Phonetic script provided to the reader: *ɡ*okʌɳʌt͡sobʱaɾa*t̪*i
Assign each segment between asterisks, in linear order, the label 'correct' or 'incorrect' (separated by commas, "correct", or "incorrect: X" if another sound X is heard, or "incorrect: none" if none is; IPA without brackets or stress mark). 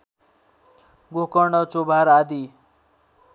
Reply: correct, incorrect: d̪